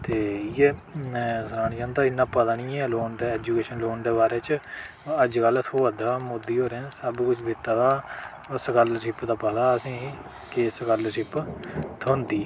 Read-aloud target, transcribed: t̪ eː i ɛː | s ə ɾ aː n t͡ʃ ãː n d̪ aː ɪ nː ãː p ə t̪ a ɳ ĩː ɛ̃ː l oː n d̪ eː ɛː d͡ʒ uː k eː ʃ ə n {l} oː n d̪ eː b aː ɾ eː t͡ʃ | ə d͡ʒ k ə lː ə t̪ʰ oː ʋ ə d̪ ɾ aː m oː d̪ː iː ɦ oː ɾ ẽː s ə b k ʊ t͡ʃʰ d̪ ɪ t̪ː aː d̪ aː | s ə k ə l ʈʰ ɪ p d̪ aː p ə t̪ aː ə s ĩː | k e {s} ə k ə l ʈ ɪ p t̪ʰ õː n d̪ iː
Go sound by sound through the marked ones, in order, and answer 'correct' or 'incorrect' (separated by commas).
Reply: correct, correct